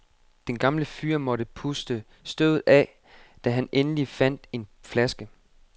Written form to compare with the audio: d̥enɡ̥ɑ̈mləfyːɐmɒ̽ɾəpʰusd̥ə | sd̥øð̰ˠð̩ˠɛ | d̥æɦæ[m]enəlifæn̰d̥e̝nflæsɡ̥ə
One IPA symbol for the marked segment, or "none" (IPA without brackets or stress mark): n